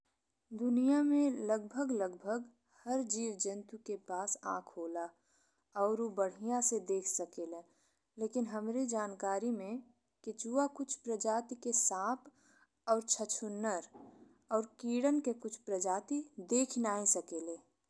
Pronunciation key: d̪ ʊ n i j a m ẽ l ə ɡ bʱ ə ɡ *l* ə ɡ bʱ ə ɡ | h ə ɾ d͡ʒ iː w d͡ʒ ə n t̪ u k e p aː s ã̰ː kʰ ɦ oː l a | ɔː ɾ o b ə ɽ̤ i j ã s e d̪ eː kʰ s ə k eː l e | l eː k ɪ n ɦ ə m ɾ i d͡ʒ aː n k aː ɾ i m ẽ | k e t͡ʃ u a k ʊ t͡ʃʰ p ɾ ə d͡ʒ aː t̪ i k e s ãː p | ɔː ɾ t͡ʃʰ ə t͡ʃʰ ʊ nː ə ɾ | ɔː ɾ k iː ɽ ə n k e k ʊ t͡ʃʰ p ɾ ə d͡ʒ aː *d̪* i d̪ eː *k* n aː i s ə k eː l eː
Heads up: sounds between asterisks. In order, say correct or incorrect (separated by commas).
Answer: correct, incorrect, incorrect